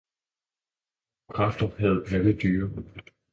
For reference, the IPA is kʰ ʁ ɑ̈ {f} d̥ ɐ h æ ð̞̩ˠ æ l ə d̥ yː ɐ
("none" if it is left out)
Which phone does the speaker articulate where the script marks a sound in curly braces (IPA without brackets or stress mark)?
f